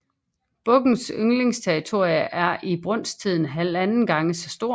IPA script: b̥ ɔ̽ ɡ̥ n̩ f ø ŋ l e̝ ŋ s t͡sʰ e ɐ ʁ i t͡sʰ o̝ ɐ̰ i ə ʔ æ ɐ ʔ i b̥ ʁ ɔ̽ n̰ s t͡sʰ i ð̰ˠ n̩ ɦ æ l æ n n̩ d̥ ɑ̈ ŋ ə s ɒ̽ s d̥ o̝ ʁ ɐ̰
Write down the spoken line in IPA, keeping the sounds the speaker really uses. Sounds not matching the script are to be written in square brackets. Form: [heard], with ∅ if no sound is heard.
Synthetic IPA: b̥ ɔ̽ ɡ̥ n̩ [s] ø ŋ l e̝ ŋ s t͡sʰ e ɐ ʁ i t͡sʰ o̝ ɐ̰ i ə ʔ æ ɐ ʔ i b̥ ʁ ɔ̽ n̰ s t͡sʰ i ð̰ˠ n̩ ɦ æ l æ n n̩ [ɡ̥] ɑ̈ ŋ ə s ɒ̽ s d̥ o̝ [∅] ɐ̰